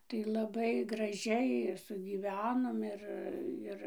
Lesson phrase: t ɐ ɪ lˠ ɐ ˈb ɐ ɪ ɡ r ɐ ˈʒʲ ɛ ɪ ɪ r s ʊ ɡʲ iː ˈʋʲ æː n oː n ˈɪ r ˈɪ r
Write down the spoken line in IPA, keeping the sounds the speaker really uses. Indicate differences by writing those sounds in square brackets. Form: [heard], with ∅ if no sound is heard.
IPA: t ɐ ɪ lˠ ɐ ˈb ɐ ɪ ɡ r ɐ ˈʒʲ ɛ ɪ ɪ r s ʊ ɡʲ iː ˈʋʲ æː n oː [m] ˈɪ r ˈɪ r

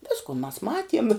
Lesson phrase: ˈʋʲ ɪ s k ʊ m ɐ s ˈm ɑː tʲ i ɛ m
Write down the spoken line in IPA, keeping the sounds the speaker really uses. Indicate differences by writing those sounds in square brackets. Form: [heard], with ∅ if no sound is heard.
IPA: ˈʋʲ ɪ s k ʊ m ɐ s ˈm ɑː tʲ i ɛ m

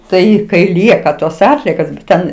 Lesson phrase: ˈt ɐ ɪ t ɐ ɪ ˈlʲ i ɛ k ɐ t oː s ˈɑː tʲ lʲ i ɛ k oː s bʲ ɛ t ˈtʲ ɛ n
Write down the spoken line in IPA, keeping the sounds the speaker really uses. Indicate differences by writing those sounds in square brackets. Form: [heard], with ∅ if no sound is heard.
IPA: ˈt ɐ ɪ [k] ɐ ɪ ˈlʲ i ɛ k ɐ t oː s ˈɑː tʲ lʲ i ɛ k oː s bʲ ɛ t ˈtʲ ɛ n

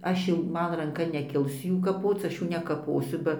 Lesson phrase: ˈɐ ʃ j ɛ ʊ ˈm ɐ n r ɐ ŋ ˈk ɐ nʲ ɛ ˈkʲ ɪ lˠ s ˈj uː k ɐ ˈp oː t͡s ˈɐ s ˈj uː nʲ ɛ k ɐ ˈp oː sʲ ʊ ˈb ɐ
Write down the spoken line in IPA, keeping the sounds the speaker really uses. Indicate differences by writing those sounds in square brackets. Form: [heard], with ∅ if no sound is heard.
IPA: ˈɐ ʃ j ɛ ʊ ˈm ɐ n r ɐ ŋ ˈk ɐ nʲ ɛ ˈkʲ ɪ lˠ s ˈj uː k ɐ ˈp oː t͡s ˈɐ [ʃ] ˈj uː nʲ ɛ k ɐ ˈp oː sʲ ʊ ˈb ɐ

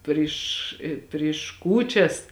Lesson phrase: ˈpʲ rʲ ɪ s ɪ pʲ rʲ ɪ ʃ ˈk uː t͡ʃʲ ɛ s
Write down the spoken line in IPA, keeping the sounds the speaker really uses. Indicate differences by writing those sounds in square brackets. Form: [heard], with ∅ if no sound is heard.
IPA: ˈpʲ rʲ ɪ [ʃ] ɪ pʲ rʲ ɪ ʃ ˈk uː t͡ʃʲ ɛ s

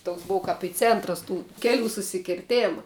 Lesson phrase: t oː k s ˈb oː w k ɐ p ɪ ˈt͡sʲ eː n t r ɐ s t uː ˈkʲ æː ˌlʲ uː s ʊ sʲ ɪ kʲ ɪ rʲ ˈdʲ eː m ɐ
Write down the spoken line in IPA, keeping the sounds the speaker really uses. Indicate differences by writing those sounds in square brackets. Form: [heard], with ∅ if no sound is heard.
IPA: t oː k s ˈb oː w k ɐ p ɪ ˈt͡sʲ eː n t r ɐ s t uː ˈkʲ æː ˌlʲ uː s ʊ sʲ ɪ kʲ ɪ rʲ [ˈtʲ] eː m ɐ

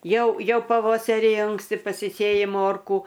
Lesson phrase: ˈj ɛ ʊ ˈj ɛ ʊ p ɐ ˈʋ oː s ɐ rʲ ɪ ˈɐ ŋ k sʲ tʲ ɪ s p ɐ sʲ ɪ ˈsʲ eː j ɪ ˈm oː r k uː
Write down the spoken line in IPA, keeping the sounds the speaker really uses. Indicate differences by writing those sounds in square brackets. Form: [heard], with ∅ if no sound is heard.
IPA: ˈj ɛ ʊ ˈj ɛ ʊ p ɐ ˈʋ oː s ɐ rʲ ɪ ˈɐ ŋ k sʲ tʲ ɪ [∅] p ɐ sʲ ɪ ˈsʲ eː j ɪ ˈm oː r k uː

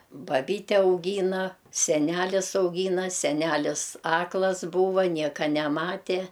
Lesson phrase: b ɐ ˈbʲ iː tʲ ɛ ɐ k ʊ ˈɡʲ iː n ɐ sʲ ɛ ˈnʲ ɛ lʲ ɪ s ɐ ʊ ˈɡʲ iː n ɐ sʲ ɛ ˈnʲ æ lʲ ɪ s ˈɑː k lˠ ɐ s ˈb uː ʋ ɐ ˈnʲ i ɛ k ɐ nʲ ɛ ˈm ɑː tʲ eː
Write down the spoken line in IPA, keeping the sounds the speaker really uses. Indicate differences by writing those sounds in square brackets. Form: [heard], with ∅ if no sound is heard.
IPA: b ɐ ˈbʲ iː tʲ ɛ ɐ [∅] ʊ ˈɡʲ iː n ɐ sʲ ɛ ˈnʲ [æ] lʲ ɪ s ɐ ʊ ˈɡʲ iː n ɐ sʲ ɛ ˈnʲ æ lʲ ɪ s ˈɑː k lˠ ɐ s ˈb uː ʋ ɐ ˈnʲ i ɛ k ɐ nʲ ɛ ˈm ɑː tʲ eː

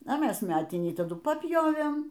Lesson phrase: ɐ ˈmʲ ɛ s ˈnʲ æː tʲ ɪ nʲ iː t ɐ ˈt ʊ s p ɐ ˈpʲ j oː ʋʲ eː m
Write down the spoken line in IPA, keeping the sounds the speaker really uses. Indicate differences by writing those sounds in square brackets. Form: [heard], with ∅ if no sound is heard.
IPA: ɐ ˈmʲ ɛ s [ˈmʲ] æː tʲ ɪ nʲ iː t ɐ [ˈd] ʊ [∅] p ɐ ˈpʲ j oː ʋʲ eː m

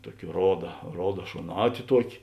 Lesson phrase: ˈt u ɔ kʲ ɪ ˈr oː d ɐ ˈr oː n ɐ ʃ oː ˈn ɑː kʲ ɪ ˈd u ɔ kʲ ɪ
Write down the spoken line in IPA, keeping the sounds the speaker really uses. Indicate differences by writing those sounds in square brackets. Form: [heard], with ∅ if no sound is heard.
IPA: ˈt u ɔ kʲ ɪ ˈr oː d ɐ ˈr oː [d] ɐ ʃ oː ˈn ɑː [tʲ] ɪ [ˈt] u ɔ kʲ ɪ

